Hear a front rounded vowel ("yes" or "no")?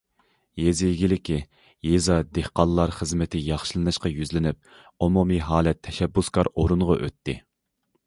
yes